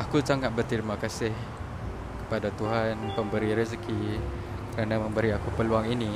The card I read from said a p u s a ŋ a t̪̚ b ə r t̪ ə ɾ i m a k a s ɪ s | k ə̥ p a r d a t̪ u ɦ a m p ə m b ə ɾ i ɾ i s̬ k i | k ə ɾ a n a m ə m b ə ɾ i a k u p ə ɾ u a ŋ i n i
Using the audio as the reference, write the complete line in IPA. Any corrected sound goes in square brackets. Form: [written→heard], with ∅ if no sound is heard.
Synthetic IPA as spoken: a [p→k] u s a ŋ a t̪̚ b ə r t̪ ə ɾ i m a k a s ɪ [s→h] | k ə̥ p a [r→∅] d a t̪ u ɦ a [m→n] p ə m b ə ɾ i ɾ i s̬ k i | k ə ɾ a n a m ə m b ə ɾ i a k u p ə [ɾ→l] u a ŋ i n i